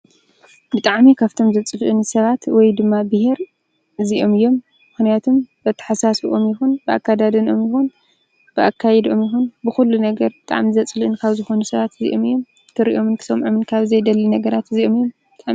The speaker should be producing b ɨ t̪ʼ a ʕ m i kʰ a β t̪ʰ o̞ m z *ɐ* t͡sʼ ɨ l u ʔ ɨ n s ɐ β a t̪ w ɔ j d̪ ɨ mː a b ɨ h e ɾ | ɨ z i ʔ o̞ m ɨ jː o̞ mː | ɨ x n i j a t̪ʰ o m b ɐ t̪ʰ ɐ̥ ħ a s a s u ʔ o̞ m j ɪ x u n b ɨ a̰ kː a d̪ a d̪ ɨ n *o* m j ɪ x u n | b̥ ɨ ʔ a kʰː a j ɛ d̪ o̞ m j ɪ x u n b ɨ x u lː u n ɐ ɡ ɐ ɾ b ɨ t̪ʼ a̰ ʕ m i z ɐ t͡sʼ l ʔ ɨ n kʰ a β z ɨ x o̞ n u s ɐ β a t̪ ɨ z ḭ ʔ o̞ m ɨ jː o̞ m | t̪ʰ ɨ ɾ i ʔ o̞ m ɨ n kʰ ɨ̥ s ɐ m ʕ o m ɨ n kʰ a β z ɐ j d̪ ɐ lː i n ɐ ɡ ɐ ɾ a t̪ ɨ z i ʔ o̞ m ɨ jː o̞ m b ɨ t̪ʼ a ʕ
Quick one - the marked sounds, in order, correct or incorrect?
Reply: correct, correct

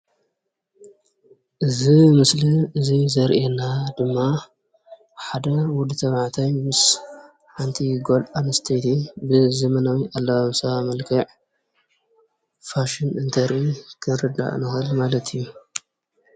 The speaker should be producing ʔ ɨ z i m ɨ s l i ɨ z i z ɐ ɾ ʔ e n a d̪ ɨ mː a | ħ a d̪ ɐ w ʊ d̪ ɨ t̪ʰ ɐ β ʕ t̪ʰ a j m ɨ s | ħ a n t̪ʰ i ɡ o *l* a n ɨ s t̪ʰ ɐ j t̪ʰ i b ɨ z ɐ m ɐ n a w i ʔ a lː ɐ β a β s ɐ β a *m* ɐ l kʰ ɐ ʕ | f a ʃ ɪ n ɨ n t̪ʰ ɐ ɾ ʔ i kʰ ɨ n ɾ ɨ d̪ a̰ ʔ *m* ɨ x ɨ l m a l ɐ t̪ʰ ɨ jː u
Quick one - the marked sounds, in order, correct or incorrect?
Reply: correct, correct, incorrect

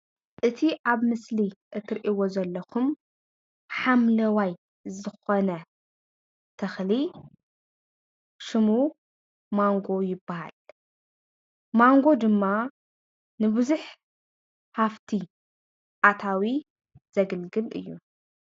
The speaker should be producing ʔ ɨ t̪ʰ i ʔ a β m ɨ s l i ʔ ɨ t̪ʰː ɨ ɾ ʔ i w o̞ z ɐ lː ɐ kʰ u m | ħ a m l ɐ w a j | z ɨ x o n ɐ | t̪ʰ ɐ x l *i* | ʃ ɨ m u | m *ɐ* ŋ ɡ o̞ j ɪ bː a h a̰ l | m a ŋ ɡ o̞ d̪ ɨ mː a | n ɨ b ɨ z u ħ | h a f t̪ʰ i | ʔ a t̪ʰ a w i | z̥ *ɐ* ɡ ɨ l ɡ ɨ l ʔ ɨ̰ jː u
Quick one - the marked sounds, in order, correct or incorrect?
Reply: correct, incorrect, correct

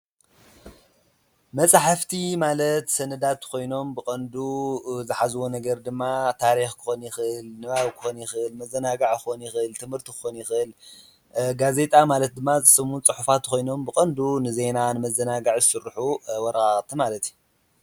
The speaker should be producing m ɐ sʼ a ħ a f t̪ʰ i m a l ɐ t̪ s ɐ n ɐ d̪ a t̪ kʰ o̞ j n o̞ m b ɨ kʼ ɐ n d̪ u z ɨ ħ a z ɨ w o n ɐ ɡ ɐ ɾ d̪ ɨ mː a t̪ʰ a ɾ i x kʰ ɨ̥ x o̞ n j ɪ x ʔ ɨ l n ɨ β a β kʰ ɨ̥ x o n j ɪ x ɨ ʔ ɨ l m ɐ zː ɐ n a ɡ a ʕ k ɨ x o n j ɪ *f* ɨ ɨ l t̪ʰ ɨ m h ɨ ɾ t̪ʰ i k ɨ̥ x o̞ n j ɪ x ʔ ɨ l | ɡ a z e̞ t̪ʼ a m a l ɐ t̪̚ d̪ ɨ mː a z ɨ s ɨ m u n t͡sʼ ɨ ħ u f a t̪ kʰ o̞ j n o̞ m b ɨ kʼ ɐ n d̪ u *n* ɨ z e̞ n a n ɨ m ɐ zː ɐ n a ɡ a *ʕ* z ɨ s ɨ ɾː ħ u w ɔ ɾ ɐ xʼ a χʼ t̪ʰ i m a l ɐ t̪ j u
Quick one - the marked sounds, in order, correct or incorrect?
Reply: incorrect, correct, correct

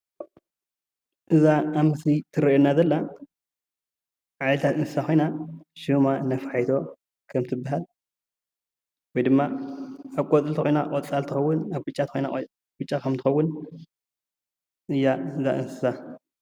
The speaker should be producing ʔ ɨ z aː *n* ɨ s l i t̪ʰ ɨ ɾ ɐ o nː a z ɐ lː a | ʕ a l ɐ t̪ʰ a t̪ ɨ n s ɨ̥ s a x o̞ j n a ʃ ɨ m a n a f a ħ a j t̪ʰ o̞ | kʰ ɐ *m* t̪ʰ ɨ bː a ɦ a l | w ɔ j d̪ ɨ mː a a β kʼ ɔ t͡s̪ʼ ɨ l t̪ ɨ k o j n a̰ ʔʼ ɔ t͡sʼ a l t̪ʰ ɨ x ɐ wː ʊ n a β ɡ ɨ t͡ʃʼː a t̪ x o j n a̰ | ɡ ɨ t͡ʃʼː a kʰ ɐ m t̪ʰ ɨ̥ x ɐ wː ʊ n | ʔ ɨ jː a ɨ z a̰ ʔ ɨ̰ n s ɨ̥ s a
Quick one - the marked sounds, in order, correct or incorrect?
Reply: incorrect, correct

